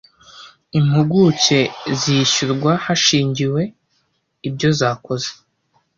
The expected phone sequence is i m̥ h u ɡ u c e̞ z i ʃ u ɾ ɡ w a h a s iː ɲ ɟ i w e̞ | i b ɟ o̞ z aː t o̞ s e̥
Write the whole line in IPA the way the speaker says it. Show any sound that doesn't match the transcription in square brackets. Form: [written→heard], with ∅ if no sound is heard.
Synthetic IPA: i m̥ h u ɡ u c e̞ z i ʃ u ɾ ɡ w a h a [s→ʃ] iː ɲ ɟ i w e̞ | i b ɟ o̞ z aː [t→k] o̞ [s→z] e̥